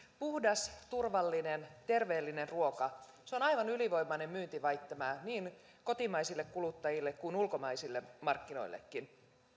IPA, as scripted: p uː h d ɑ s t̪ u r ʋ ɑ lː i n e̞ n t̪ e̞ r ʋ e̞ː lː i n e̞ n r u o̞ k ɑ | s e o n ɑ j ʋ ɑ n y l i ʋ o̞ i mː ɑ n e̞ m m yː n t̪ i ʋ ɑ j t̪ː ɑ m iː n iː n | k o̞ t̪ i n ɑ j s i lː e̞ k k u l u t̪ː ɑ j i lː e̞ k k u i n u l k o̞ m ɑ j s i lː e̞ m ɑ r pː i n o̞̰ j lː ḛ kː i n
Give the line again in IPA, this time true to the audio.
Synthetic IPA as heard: p u h d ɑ s t̪ u r ʋ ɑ lː i n e̞ n t̪ e̞ r ʋ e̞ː lː i n e̞ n r u o̞ k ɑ | s e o n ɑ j ʋ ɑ n y l i ʋ o̞ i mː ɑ n e̞ m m yː n t̪ i ʋ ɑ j t̪ː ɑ m æː n iː n | k o̞ t̪ i m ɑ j s i lː e̞ k k u l u t̪ː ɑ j i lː e̞ k k u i n u l k o̞ m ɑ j s i lː e̞ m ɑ r kː i n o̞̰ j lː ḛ kː i n